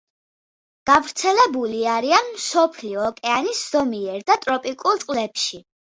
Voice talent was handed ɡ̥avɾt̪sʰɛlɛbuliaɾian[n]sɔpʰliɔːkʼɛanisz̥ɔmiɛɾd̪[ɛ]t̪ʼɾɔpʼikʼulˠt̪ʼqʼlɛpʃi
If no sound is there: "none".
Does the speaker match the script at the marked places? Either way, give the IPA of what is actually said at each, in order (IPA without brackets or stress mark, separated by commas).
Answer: m, a